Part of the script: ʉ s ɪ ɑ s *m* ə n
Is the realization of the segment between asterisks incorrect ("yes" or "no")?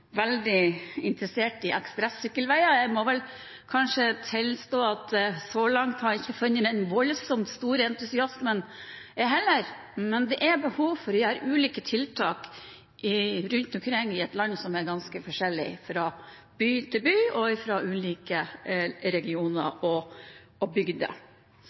no